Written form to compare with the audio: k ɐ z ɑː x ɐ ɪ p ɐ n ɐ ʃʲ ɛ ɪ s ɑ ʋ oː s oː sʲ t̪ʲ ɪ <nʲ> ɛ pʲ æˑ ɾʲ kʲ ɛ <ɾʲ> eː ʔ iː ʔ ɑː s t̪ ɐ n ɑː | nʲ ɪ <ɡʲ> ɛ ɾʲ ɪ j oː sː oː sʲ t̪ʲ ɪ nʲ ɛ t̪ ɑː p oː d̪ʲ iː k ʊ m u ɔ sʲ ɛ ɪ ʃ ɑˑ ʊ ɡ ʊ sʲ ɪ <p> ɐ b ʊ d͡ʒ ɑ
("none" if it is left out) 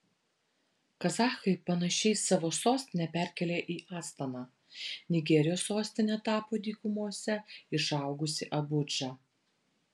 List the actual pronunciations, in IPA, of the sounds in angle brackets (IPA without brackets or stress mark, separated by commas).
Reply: nʲ, lʲ, ɡʲ, ʔ